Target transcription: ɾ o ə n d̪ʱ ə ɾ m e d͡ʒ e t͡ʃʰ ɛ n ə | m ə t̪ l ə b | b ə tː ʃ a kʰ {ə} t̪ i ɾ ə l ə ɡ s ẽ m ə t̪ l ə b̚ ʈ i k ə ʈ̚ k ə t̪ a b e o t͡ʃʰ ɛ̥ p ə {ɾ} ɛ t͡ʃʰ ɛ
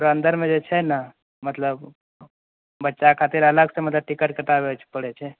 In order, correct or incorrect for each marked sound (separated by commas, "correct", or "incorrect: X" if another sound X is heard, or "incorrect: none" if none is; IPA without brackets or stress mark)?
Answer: incorrect: a, incorrect: ɽ